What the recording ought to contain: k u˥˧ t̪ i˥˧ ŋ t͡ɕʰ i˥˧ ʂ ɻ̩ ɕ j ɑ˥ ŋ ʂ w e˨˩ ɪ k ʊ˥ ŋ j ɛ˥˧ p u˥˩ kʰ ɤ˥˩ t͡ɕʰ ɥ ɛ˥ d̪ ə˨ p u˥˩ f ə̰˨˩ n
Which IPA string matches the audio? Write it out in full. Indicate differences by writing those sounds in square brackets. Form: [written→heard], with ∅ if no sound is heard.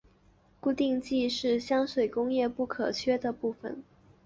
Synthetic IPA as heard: k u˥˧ t̪ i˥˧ ŋ [t͡ɕʰ→t͡ɕ] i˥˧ ʂ ɻ̩ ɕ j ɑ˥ ŋ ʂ w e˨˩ ɪ k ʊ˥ ŋ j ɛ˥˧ p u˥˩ kʰ [ɤ˥˩→ɤ˨˩] t͡ɕʰ ɥ ɛ˥ d̪ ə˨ p u˥˩ f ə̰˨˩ n